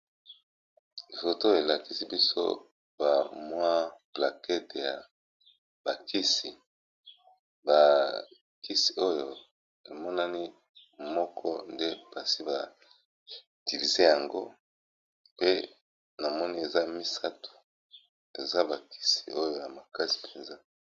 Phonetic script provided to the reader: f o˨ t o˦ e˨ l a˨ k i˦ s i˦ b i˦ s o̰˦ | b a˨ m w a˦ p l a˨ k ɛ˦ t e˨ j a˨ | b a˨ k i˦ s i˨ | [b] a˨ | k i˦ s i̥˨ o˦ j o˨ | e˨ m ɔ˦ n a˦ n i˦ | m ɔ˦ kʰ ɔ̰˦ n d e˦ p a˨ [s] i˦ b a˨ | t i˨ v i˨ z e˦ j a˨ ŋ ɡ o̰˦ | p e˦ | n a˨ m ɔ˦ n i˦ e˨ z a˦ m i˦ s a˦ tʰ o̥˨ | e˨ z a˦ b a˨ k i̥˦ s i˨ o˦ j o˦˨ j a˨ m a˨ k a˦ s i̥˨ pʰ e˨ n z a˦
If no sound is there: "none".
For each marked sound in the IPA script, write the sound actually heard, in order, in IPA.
b, s

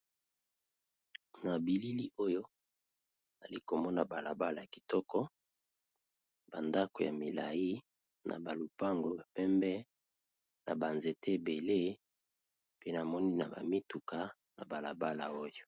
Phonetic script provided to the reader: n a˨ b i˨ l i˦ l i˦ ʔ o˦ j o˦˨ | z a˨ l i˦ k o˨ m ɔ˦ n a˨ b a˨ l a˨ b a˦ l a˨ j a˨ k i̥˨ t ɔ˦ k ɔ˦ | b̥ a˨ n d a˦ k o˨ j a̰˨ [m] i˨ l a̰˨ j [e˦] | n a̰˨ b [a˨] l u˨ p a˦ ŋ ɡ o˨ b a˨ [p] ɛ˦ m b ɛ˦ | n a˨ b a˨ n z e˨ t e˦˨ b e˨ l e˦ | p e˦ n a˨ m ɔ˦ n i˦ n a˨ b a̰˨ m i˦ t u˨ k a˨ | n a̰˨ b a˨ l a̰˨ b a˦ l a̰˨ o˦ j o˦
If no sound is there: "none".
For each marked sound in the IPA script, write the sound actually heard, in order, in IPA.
m, i˦, a˨, p

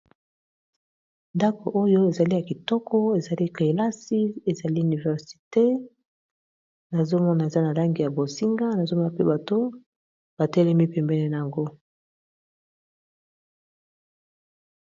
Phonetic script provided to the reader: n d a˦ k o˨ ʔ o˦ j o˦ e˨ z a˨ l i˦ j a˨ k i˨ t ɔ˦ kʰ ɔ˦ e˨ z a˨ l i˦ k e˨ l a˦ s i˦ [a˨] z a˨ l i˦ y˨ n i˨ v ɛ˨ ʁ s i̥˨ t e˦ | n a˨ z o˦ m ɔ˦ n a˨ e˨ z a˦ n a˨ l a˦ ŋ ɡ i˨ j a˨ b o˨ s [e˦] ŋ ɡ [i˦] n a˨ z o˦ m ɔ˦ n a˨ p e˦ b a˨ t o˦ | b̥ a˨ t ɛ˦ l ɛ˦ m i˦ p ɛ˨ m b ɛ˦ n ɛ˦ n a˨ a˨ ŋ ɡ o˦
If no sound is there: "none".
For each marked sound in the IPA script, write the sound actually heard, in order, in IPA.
e˨, i˦, a˦

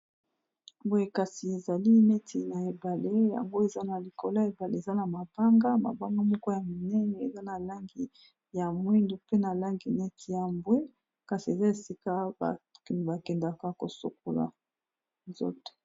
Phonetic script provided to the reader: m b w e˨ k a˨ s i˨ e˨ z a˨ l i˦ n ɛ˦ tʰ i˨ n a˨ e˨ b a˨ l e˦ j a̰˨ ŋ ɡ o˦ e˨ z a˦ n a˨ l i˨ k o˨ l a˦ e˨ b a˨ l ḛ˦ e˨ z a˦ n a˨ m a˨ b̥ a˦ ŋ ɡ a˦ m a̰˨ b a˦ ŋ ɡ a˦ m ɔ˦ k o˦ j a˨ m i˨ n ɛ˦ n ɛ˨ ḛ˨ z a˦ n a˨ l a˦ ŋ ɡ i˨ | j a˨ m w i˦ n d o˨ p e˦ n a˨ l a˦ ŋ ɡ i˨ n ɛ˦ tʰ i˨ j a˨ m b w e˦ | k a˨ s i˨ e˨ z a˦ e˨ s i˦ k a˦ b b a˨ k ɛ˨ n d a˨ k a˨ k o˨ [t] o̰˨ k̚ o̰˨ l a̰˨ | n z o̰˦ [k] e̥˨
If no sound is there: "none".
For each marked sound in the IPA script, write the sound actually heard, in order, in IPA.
s, t

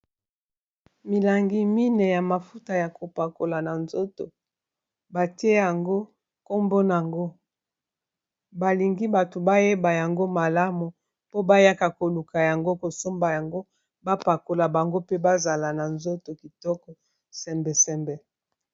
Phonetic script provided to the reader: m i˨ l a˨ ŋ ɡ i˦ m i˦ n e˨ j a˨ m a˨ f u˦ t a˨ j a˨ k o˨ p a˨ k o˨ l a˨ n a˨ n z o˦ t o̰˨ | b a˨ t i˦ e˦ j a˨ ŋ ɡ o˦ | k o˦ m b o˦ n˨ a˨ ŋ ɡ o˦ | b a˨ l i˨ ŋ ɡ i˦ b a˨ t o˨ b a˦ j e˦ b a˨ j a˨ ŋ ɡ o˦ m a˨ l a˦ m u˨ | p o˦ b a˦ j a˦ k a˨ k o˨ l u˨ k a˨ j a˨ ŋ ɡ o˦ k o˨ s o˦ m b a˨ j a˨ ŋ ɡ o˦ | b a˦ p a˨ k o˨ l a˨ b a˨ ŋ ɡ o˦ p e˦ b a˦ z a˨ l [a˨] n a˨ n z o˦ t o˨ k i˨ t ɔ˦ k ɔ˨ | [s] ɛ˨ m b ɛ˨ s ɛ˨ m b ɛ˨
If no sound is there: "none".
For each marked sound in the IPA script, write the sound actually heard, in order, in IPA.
a˨, s

